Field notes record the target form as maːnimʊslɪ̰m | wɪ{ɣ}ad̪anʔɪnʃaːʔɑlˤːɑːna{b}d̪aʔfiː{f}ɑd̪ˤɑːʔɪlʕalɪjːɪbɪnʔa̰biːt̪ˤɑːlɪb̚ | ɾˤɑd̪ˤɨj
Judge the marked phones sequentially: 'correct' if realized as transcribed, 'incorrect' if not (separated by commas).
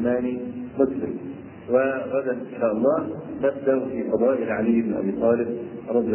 correct, correct, correct